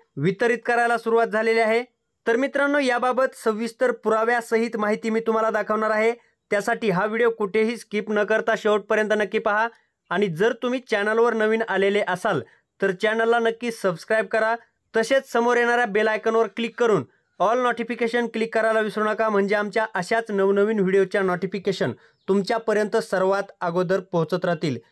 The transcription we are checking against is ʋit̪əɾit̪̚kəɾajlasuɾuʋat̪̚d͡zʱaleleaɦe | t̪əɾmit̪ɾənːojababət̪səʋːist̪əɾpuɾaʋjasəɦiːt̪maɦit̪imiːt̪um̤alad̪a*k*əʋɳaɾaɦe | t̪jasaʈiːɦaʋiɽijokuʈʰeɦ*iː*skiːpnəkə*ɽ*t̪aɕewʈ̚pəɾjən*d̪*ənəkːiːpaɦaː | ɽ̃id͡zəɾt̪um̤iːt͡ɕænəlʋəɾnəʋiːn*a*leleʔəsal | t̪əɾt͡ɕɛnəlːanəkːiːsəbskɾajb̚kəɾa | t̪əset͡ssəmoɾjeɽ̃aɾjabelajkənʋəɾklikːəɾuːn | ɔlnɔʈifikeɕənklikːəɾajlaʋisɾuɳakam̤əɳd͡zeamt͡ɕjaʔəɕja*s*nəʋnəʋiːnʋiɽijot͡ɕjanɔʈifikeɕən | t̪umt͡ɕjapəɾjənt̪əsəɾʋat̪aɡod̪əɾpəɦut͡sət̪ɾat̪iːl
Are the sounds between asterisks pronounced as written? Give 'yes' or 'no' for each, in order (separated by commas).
no, yes, no, no, yes, no